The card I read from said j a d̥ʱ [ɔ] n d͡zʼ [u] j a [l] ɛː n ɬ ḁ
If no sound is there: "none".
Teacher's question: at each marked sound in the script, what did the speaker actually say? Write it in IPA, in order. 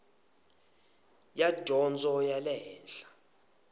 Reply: ɔ, ɔ, l

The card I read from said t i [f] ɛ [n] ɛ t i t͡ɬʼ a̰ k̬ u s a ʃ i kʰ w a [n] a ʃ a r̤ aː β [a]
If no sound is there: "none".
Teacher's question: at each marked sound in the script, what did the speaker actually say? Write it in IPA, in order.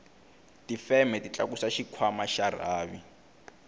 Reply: f, m, m, i

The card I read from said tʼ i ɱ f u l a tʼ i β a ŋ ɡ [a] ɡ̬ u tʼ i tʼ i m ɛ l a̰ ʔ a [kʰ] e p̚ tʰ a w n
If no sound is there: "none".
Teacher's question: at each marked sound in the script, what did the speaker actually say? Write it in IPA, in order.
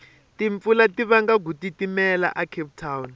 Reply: a, kʰ

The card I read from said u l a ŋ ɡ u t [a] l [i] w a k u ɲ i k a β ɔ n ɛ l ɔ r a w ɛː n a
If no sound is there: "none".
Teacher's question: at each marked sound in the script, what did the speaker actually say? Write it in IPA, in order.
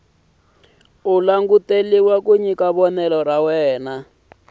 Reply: e, i

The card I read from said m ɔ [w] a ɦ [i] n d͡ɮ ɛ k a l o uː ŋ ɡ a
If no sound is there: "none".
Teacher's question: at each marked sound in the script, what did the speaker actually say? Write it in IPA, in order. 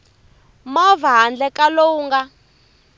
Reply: v, a

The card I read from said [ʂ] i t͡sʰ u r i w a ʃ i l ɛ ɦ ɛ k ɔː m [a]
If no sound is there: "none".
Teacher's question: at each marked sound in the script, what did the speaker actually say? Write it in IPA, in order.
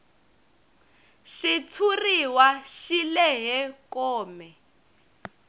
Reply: ʃ, ɛ

